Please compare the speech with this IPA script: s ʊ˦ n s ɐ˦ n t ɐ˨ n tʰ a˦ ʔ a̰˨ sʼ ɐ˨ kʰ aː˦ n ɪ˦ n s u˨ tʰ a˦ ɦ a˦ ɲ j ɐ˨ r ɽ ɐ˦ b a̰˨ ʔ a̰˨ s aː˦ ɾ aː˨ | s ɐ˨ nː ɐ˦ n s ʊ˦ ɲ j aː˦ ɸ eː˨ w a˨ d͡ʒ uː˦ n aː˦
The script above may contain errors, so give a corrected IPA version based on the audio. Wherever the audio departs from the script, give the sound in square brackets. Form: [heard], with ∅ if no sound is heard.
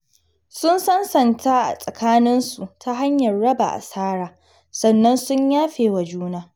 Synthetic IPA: s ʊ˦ n s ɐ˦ n [s] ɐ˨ n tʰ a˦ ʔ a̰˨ sʼ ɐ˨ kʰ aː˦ n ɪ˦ n s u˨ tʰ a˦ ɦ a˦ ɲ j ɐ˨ r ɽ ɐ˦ b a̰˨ ʔ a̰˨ s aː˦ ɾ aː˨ | s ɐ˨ nː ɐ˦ n s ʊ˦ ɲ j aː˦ ɸ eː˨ w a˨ d͡ʒ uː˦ n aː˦